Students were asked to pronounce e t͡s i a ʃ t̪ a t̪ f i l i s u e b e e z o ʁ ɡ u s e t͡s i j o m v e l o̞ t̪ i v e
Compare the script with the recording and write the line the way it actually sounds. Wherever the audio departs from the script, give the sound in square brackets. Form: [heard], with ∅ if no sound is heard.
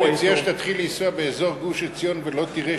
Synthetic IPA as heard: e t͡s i a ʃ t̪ a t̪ [χ] i l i s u [a] b e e z o ʁ ɡ u [ʃ] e t͡s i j o [n] v e l o̞ t̪ i [ʁ] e